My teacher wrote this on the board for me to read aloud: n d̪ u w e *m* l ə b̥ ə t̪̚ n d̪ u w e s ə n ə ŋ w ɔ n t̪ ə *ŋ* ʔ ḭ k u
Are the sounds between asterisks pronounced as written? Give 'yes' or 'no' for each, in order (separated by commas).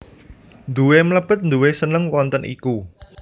yes, no